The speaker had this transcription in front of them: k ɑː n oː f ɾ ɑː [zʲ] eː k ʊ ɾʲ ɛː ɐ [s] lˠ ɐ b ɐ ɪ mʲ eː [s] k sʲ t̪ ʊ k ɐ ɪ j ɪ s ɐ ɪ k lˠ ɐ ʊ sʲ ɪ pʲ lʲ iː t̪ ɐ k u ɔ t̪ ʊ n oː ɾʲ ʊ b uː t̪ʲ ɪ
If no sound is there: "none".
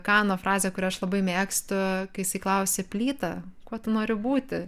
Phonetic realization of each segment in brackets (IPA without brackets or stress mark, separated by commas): zʲ, ʃ, none